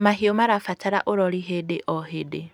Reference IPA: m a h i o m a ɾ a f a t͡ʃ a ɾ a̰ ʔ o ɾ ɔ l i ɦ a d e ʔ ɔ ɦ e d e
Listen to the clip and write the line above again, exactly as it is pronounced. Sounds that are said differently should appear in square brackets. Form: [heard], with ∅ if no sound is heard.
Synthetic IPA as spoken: m a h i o m a ɾ a f a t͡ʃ a ɾ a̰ ʔ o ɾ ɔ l i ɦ [e] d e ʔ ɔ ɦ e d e